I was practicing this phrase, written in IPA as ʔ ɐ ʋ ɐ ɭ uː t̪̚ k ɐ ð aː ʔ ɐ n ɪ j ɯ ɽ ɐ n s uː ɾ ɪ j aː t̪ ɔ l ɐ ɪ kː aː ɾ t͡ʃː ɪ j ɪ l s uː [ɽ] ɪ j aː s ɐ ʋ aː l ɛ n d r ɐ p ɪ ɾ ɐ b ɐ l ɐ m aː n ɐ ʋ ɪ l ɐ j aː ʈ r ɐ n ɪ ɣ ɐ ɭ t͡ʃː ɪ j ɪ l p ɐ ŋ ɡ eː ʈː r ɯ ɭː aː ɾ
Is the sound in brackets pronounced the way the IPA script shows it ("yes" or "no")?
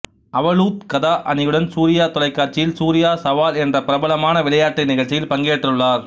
no